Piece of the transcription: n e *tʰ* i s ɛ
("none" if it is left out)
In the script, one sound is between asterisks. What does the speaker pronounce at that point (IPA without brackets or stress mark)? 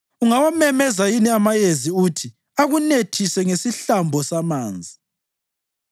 tʰ